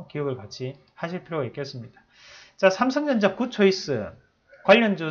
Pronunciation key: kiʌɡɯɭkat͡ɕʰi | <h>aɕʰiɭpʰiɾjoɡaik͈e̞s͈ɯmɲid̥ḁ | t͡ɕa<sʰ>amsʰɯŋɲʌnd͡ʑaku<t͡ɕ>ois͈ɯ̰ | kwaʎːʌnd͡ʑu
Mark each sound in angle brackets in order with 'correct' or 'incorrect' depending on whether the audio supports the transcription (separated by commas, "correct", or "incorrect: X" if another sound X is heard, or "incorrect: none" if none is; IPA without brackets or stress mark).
correct, correct, incorrect: t͡ɕʰ